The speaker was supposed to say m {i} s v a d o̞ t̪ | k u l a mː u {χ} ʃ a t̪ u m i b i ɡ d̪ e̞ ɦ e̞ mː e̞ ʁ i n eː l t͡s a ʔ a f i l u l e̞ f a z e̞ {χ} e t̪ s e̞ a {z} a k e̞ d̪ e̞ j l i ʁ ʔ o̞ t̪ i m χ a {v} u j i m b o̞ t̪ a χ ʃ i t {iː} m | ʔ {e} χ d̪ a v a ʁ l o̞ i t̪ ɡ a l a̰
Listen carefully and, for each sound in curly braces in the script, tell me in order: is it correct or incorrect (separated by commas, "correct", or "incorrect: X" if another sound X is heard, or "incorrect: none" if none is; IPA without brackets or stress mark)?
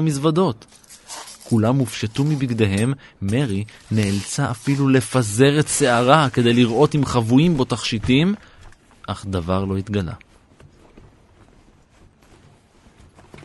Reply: correct, incorrect: f, incorrect: ʁ, incorrect: ʁ, correct, incorrect: i, incorrect: a